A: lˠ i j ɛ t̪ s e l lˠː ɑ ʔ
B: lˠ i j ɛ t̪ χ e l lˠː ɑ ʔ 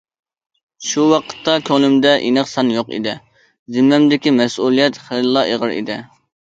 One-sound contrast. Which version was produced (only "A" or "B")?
B